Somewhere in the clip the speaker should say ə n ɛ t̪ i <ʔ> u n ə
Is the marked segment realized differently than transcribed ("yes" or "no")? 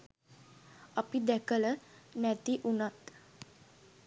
no